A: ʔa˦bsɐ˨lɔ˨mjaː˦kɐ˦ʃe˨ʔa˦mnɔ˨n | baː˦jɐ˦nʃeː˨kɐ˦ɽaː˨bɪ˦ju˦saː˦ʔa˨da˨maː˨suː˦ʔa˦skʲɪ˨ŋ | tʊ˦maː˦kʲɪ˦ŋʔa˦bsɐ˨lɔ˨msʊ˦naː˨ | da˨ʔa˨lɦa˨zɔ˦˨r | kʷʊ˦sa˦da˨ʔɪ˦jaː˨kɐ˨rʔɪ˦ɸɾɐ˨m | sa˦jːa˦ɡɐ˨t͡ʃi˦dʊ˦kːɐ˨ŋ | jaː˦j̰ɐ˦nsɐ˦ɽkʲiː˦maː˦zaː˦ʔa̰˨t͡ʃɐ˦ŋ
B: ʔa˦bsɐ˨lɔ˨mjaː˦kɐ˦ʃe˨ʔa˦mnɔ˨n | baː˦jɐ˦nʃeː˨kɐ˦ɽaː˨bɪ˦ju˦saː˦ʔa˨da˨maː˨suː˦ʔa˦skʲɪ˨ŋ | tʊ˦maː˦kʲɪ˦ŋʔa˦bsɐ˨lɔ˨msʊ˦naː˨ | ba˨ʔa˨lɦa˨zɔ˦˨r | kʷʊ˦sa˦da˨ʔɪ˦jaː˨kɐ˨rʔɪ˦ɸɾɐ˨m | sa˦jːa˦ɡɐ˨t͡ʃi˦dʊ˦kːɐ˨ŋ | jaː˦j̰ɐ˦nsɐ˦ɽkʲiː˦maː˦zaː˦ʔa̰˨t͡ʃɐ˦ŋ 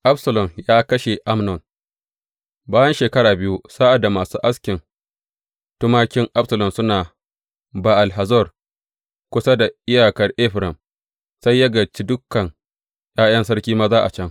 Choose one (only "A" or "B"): B